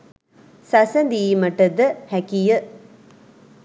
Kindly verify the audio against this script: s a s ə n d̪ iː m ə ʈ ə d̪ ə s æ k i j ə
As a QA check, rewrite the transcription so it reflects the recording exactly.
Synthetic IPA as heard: s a s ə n d̪ iː m ə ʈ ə d̪ ə h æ k i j ə